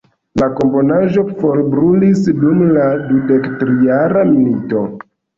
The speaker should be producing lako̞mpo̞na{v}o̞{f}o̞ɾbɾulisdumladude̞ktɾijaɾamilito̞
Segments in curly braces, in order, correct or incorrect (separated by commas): incorrect, correct